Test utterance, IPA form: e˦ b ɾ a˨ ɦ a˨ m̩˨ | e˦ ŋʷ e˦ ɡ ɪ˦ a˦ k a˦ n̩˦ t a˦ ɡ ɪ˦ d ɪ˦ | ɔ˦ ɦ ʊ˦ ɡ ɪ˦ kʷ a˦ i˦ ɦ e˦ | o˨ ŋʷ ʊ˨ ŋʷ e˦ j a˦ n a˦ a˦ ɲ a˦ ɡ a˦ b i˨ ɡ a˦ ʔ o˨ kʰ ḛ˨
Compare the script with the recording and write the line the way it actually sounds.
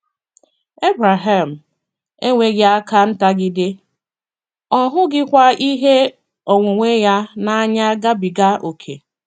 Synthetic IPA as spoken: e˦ b ɾ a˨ ɦ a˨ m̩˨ | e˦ ŋʷ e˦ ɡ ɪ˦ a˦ k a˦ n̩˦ t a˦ ɡ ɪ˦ d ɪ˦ | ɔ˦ ɦ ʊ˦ ɡ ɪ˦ kʷ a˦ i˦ ɦ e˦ | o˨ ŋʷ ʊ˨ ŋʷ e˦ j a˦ n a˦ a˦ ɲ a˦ ɡ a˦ b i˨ ɡ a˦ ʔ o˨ kʰ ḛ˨

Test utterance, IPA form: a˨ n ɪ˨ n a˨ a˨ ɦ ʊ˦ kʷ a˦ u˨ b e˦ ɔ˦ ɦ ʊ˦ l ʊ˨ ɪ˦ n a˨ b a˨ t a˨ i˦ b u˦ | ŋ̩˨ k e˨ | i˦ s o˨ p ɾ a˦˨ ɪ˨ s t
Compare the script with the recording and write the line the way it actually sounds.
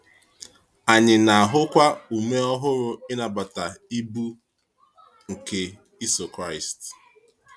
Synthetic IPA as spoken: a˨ ɲ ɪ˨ n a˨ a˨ ɦ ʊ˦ kʷ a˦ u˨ m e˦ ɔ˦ ɦ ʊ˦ ɾ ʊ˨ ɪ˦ n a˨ b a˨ t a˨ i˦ b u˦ | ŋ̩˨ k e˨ | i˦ s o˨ k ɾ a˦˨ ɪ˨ s t

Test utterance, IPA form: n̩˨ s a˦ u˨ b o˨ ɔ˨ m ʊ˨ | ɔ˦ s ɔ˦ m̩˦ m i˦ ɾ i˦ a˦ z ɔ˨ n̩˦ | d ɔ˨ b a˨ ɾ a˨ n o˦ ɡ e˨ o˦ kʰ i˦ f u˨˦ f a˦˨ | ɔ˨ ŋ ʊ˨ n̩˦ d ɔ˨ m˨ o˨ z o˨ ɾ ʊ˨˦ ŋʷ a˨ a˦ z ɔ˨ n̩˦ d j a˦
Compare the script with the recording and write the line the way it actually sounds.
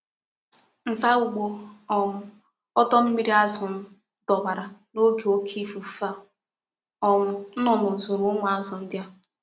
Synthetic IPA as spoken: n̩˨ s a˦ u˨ ɡ͡b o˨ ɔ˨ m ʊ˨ | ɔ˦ t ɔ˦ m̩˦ m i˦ ɾ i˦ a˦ z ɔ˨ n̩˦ | d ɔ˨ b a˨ ɾ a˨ n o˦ ɡ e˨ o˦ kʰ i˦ f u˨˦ f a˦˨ | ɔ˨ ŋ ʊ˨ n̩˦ n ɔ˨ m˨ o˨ z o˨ ɾ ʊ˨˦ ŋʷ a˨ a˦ z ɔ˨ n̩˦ d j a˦

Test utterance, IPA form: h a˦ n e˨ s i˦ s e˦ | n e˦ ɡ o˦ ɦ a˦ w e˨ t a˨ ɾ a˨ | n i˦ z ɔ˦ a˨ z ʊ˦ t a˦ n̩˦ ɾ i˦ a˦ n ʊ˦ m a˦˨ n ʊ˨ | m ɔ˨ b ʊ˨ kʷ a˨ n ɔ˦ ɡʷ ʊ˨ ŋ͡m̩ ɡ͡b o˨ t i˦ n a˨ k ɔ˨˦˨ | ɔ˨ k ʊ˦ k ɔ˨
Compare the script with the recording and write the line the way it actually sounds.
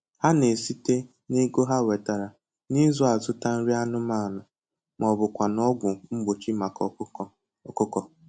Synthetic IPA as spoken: h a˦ n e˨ s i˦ t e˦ | n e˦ ɡ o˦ ɦ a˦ w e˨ t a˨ ɾ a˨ | n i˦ z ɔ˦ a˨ z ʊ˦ t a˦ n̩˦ ɾ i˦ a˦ n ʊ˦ m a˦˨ n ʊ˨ | m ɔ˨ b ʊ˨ kʷ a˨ n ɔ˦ ɡʷ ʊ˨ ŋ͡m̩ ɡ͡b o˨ t͡ʃ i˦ m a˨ k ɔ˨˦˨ | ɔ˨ k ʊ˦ k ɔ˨

